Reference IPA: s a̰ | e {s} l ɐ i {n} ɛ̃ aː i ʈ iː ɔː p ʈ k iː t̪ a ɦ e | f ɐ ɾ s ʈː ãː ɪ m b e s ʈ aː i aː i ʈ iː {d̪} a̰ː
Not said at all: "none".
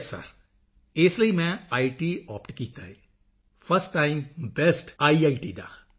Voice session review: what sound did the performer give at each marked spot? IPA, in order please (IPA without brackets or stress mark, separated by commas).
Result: s, m, d̪